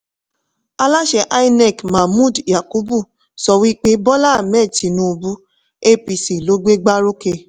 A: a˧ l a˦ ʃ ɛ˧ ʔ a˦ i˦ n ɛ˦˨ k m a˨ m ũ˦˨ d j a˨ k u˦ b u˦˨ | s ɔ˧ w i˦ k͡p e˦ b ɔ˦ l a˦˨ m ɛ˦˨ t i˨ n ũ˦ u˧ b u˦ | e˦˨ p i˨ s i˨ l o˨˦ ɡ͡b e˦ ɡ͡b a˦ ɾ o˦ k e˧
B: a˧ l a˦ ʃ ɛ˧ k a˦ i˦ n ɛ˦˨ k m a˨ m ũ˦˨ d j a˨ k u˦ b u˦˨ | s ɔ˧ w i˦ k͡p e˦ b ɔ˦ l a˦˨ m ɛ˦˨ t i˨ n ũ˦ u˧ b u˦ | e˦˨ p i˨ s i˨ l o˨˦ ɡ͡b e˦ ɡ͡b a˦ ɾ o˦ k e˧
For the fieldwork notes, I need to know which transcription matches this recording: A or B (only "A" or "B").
A